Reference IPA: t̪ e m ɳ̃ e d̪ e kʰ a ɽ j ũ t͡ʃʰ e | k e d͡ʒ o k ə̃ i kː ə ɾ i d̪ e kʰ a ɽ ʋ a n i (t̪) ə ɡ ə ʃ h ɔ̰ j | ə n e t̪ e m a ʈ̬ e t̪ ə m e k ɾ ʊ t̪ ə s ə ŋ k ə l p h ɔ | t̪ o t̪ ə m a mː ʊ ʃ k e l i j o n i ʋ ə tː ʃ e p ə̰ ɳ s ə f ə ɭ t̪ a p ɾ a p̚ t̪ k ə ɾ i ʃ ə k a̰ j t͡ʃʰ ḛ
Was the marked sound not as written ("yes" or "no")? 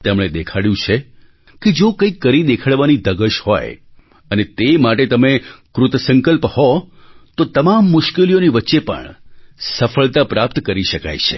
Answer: yes